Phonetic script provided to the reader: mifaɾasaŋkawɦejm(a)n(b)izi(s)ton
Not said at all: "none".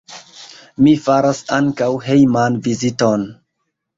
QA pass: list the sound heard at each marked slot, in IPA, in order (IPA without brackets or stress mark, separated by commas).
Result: a, v, none